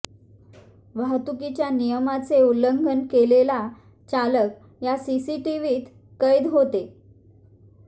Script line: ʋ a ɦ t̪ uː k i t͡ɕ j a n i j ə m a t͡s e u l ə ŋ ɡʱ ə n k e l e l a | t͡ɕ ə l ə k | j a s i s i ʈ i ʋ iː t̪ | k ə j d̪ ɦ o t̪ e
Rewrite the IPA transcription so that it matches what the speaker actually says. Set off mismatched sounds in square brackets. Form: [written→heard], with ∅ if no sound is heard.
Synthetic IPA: ʋ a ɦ t̪ [uː→u] k i t͡ɕ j a n i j ə m a t͡s e u l ə ŋ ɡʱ ə n k e l e l a | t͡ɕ [ə→a] l ə k | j a s i s i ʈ i ʋ iː t̪ | k ə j d̪ ɦ o t̪ e